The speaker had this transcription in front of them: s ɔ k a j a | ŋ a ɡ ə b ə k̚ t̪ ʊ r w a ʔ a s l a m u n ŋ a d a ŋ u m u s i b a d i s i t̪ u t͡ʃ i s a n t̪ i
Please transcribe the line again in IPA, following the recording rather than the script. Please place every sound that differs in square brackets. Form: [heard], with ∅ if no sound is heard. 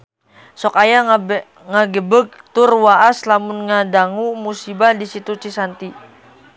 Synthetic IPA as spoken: s ɔ k a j a | ŋ a ɡ ə b ə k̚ t̪ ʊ r w a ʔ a s l a m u n ŋ a d a ŋ u m u s i b a d i s i t̪ u t͡ʃ i s a n t̪ i